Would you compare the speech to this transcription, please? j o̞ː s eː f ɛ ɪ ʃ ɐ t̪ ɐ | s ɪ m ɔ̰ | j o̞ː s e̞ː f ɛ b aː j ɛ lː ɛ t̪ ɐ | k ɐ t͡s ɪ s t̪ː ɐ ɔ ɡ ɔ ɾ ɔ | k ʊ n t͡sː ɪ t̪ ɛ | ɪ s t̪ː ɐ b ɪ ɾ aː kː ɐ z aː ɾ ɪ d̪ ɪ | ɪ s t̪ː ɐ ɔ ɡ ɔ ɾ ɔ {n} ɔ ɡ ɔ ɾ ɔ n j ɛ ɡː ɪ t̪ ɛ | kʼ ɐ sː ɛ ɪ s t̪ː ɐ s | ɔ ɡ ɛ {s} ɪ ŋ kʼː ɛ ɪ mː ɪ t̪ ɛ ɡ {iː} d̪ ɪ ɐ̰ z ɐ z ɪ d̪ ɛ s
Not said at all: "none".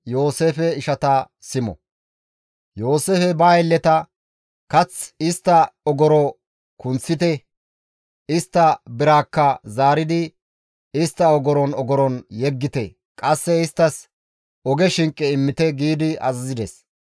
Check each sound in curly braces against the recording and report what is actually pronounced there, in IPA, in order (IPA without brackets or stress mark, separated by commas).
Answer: n, ʃ, iː